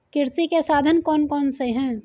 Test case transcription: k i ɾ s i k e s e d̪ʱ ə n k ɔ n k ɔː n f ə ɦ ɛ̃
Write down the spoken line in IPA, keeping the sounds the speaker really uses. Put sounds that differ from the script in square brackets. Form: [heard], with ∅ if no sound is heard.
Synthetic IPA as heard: k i ɾ s i k e s [a] d̪ʱ ə n k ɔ n k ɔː n [s] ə ɦ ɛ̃